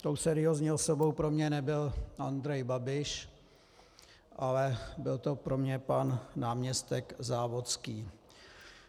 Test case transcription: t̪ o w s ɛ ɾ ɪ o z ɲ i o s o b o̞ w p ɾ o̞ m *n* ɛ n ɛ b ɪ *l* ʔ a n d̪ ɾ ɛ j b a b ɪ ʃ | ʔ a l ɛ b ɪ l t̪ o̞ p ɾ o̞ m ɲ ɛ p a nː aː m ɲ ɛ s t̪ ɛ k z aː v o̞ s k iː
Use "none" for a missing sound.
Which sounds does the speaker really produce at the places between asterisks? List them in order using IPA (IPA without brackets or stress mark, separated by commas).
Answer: ɲ, l